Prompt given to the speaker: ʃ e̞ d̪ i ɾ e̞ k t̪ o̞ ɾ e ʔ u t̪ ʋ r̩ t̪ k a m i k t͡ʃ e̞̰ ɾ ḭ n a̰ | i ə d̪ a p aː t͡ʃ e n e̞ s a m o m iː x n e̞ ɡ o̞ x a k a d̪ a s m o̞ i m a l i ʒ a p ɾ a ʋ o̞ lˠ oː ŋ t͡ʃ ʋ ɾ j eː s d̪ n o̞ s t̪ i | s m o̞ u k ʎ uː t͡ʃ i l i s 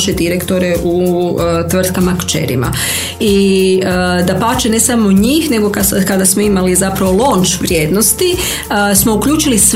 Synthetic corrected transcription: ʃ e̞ d̪ i ɾ e̞ k t̪ o̞ ɾ e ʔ u t̪ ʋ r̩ t̪ k a m a k t͡ʃ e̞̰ ɾ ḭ m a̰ | i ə d̪ a p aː t͡ʃ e n e̞ s a m o ɲ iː x n e̞ ɡ o̞ k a k a d̪ a s m o̞ i m a l i z a p ɾ a ʋ o̞ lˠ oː n t͡ʃ ʋ ɾ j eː d̪ n o̞ s t̪ i | s m o̞ u k ʎ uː t͡ʃ i l i s